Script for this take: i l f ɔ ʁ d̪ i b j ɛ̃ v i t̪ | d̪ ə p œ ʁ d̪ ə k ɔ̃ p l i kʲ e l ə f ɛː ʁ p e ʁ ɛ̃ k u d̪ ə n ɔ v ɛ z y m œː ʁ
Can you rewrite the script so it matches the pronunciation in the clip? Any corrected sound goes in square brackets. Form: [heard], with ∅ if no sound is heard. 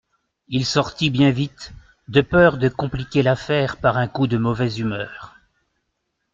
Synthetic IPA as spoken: i l [s] ɔ ʁ [t̪] i b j ɛ̃ v i t̪ | d̪ ə p œ ʁ d̪ ə k ɔ̃ p l i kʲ e l [a] f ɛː ʁ p [a] ʁ ɛ̃ k u d̪ ə [m] ɔ v ɛ z y m œː ʁ